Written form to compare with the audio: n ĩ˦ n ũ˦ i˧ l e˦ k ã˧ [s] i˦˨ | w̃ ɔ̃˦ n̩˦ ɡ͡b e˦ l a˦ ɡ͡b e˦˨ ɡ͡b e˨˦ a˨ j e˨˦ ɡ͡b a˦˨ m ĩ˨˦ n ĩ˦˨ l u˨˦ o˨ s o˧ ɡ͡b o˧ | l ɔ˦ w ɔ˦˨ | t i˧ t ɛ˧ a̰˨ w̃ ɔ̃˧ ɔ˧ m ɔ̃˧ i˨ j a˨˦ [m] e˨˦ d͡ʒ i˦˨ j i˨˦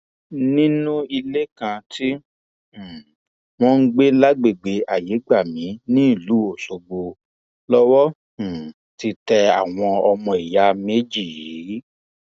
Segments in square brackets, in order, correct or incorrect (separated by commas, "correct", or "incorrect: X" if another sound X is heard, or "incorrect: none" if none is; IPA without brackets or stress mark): incorrect: t, correct